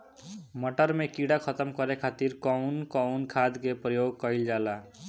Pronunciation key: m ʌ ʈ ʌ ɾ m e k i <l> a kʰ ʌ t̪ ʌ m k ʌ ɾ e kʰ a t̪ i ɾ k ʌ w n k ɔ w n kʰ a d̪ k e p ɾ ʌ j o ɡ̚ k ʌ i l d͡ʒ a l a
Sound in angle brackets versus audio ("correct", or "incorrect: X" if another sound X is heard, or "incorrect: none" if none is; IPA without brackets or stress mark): incorrect: ɽ